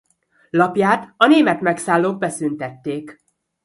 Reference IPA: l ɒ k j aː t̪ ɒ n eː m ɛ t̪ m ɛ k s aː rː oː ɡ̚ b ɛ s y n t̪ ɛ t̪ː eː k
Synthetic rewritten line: l ɒ p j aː t̪ ɒ n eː m ɛ t̪ m ɛ k s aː lː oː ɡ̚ b ɛ s y n t̪ ɛ t̪ː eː k